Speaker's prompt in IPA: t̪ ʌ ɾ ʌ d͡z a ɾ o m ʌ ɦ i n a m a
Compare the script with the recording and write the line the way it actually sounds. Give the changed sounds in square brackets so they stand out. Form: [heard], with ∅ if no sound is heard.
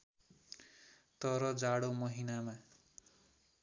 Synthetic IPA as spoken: t̪ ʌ ɾ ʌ d͡z a [ɽ] o m ʌ ɦ i n a m a